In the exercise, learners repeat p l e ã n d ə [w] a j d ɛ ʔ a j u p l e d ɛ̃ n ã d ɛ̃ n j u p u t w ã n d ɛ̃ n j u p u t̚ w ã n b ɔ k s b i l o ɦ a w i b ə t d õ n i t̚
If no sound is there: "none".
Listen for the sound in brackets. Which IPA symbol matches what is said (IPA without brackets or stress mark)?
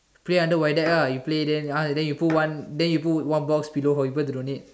w